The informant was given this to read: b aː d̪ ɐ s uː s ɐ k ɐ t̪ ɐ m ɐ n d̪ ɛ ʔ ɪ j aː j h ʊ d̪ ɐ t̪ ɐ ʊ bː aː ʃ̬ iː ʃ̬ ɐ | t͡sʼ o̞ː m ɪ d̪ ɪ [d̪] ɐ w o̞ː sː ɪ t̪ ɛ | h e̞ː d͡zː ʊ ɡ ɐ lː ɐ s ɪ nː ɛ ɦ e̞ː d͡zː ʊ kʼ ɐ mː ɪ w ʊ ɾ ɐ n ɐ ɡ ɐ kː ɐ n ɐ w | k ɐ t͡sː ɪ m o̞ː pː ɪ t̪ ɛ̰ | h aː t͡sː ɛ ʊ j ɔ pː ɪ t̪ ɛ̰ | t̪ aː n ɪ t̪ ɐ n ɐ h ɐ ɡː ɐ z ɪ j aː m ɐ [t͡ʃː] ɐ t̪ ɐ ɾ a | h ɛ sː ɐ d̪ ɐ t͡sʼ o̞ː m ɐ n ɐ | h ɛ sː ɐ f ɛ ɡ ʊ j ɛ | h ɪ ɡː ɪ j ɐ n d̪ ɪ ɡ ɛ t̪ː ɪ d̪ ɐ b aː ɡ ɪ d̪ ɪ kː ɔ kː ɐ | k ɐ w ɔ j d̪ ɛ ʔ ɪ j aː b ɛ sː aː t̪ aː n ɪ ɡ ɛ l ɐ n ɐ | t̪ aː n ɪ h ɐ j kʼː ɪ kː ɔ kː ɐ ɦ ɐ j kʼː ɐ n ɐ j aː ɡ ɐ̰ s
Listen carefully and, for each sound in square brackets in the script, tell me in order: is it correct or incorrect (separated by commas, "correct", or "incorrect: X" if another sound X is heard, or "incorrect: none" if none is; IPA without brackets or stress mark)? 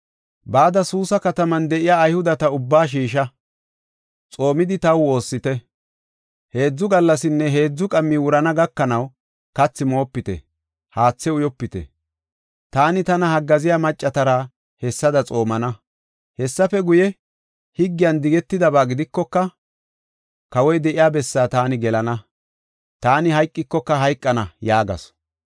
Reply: incorrect: t̪, incorrect: t͡ʃʼː